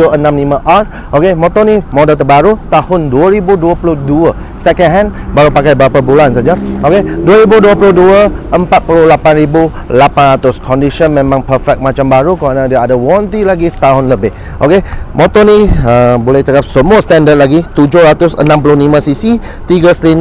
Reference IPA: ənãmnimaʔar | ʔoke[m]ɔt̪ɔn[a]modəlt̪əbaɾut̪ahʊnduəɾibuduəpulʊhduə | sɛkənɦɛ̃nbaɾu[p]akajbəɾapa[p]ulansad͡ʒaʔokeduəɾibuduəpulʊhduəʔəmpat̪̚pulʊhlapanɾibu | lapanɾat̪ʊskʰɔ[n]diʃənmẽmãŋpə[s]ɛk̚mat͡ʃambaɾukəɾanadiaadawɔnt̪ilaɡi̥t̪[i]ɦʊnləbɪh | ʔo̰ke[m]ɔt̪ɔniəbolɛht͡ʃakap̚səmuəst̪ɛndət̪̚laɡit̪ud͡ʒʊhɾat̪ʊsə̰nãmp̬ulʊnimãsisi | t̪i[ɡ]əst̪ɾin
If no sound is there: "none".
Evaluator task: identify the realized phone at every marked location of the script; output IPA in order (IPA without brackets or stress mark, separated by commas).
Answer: m, i, p, b, n, f, a, m, ɡ